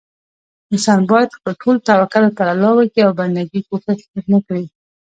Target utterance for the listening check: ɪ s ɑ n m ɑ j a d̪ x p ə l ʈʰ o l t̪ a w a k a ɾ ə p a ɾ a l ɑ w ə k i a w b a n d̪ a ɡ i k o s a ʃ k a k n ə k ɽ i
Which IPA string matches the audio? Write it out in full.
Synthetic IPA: ɪ s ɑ n b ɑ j a d̪ x p ə l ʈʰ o l t̪ a w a k a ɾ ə p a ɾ a l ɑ w ə k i a w b a n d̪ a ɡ i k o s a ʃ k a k n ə k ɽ i